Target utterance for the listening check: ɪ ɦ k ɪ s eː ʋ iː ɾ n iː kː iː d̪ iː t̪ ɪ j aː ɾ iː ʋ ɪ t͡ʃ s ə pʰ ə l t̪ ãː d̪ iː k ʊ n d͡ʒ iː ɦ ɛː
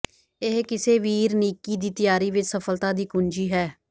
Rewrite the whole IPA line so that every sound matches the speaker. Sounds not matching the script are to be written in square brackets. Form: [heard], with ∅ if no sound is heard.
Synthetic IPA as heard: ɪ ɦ k ɪ s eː ʋ iː ɾ n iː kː iː d̪ iː t̪ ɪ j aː ɾ iː ʋ ɪ t͡ʃ s ə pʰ ə l t̪ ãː d̪ iː k ʊ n d͡ʒ iː ɦ ɛː